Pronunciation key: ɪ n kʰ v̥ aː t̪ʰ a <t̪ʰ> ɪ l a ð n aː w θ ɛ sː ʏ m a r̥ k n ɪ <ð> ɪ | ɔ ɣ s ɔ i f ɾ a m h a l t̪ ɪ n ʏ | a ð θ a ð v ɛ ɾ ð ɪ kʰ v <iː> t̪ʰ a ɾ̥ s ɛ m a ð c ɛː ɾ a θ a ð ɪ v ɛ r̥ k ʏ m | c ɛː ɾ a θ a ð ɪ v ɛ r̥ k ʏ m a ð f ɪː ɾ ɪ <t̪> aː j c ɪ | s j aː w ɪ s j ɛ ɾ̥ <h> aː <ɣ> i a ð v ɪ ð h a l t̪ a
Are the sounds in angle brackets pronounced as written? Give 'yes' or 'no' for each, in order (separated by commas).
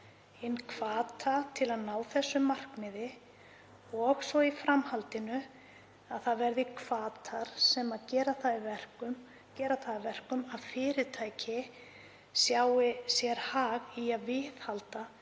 yes, yes, no, no, yes, yes